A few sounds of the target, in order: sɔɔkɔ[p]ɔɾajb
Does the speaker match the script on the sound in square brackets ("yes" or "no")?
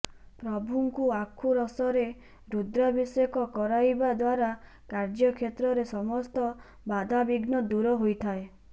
no